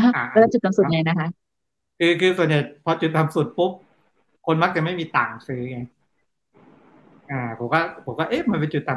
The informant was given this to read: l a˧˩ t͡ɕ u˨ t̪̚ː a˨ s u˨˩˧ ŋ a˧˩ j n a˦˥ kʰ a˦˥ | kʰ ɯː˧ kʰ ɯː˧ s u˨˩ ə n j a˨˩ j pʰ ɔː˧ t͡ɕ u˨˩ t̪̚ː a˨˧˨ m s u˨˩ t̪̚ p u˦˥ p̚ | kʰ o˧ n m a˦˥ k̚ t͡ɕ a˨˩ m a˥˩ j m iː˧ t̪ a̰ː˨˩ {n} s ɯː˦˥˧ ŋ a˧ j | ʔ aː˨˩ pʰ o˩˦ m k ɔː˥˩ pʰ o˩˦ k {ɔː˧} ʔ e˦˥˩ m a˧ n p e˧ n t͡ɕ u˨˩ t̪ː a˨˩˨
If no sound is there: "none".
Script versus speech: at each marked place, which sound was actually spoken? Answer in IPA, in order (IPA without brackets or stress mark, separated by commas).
ŋ, ɔː˥˩